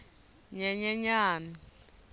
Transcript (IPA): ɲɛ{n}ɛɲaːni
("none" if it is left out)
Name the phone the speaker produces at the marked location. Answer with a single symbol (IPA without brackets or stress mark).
ɲ